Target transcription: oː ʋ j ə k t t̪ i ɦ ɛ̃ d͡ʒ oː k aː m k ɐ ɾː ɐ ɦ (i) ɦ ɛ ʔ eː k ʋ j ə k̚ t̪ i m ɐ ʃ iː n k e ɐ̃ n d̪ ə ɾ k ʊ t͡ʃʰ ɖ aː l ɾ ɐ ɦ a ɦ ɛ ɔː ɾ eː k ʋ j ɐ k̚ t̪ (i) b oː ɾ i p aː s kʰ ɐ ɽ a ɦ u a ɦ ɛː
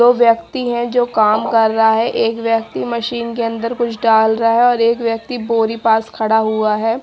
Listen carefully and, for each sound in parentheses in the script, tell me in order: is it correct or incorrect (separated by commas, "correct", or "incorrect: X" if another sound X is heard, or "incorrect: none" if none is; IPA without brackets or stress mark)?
incorrect: a, correct